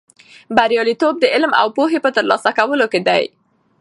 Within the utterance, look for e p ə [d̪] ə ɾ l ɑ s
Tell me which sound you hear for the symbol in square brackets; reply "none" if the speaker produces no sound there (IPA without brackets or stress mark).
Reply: t̪